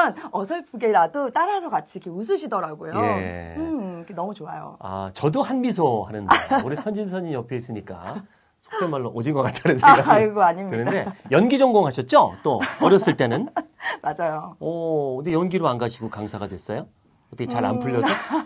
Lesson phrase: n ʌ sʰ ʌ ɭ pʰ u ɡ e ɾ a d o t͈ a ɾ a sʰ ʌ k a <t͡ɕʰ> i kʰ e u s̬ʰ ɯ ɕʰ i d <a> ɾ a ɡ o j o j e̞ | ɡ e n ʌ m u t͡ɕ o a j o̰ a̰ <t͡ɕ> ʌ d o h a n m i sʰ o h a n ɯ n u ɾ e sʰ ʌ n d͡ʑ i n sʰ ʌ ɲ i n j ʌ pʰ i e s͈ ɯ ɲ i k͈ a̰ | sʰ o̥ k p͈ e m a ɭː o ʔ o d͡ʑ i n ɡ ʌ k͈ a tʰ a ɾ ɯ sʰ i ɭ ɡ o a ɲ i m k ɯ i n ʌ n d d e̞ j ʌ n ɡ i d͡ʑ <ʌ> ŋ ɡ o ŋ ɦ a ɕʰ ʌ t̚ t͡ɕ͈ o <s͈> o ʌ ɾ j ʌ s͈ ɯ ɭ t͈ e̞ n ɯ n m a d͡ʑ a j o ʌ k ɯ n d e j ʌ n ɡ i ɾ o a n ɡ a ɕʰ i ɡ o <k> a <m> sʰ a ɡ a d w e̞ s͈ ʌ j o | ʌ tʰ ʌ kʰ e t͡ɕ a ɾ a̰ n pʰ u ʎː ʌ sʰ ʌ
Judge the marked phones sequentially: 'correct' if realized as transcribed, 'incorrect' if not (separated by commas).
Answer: correct, incorrect, correct, correct, incorrect, correct, incorrect